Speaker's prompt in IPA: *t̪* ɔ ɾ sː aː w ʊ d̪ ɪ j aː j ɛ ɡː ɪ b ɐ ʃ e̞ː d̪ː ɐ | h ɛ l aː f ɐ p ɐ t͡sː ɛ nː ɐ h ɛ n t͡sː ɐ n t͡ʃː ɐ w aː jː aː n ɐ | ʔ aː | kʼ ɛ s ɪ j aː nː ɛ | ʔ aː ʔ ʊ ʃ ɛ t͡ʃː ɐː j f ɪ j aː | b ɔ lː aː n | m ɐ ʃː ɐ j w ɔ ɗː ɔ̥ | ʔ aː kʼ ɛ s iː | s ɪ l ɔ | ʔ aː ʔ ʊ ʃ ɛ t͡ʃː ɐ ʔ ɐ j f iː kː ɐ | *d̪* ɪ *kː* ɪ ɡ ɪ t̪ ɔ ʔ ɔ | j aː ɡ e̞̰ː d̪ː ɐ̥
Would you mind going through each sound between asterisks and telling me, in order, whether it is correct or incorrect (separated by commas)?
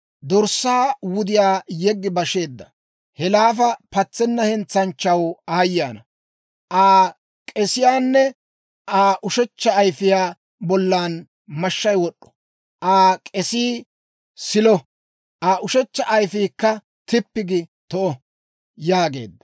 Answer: incorrect, incorrect, incorrect